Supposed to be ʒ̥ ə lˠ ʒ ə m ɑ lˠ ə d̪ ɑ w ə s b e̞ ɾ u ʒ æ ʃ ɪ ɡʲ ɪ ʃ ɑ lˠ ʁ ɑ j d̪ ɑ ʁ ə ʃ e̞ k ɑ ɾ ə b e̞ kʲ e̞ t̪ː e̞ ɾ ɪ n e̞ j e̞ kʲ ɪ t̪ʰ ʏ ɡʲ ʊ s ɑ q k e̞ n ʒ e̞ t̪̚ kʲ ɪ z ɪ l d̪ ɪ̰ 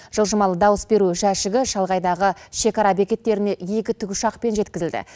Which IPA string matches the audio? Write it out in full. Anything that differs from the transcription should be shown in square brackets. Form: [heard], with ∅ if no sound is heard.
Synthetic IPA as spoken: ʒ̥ ə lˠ ʒ ə m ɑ lˠ ə d̪ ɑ w ə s b e̞ ɾ u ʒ æ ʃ ɪ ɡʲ ɪ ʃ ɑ lˠ ʁ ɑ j d̪ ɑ ʁ ə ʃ e̞ k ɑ ɾ [ɑ] b e̞ kʲ e̞ t̪ː e̞ ɾ ɪ n e̞ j e̞ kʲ ɪ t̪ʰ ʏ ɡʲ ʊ [ʃ] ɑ q [p] e̞ n ʒ e̞ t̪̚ kʲ ɪ z ɪ l d̪ ɪ̰